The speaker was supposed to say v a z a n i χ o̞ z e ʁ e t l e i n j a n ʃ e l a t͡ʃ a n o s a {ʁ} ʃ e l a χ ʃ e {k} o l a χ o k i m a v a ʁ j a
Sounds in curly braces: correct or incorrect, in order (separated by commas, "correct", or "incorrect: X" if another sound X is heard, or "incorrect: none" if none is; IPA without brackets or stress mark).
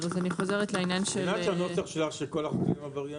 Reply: incorrect: χ, correct